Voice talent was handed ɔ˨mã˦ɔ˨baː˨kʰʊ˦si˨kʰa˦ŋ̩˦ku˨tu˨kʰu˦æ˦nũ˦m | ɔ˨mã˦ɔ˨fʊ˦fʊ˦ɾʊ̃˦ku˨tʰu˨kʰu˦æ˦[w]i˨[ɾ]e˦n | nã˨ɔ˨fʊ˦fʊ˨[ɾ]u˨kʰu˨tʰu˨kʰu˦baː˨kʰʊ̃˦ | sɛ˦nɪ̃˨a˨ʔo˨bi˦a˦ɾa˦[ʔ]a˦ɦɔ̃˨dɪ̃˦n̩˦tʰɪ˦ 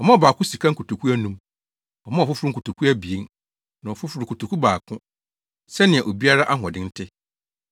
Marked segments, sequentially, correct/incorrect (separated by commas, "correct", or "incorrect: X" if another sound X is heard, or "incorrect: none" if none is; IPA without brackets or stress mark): incorrect: b, incorrect: none, correct, correct